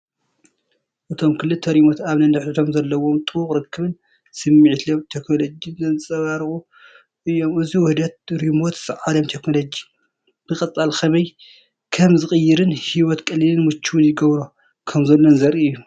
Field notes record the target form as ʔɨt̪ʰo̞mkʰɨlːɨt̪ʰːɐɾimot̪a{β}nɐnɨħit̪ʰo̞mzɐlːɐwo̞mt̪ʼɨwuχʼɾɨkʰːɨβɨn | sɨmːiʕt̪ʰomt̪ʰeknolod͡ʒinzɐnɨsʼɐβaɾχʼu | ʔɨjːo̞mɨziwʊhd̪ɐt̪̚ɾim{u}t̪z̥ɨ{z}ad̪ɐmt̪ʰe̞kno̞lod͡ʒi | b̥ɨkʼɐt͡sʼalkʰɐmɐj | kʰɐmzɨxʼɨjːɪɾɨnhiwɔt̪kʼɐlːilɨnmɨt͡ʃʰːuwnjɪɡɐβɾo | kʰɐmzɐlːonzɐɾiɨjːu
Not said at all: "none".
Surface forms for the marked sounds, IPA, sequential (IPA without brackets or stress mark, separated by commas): β, o, ʕ